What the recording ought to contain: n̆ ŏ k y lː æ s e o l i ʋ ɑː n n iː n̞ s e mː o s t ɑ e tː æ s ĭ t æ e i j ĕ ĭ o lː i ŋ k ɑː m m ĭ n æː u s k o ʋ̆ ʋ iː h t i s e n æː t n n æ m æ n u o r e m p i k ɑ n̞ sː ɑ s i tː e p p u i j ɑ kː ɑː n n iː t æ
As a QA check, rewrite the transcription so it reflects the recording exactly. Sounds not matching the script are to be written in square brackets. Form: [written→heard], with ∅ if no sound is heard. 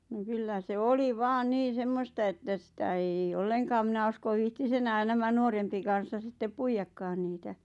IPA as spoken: n̆ ŏ k y lː æ s e o l i ʋ ɑː n n iː n̞ s e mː o s t ɑ e tː æ s ĭ t æ e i j ĕ ĭ o lː [i→e] ŋ k ɑː m m ĭ n [æː→æ] u s k o ʋ̆ ʋ iː h t i s e n æː [t→∅] n n æ m æ n u o r e m p i k ɑ n̞ sː ɑ s i tː e p p u i j ɑ kː ɑː n n iː t æ